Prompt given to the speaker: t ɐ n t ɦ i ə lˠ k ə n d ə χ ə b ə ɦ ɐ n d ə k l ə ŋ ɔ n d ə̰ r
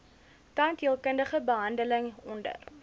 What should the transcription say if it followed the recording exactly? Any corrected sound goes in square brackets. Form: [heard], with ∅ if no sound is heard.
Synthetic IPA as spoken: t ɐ n t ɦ i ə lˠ k ə n d ə χ ə b ə ɦ ɐ n d ə [∅] l ə ŋ ɔ n d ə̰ r